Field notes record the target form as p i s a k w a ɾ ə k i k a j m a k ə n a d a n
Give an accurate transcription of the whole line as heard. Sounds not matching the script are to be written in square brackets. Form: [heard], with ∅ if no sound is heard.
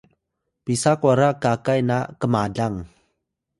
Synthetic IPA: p i s a k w a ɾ [a] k [a] k a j [n] a k ə [m] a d a [ŋ]